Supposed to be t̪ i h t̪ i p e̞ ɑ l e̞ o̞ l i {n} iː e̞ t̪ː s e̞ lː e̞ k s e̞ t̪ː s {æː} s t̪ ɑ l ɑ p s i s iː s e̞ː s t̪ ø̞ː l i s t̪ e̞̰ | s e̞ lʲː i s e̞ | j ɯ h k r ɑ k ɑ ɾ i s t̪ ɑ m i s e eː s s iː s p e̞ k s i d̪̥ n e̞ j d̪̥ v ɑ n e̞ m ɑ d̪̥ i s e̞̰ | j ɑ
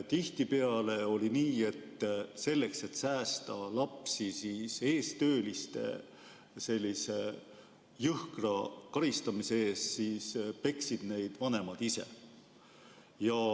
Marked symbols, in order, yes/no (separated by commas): yes, yes